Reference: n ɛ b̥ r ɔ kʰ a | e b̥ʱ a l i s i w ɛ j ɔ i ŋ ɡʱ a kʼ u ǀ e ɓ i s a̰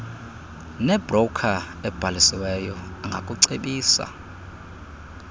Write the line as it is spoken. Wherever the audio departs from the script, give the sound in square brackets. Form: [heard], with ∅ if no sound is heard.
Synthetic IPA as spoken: n ɛ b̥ r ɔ kʰ a | [ɛ] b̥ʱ a l i s i w ɛ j ɔ [a] ŋ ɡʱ a kʼ u ǀ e ɓ [iː] s a̰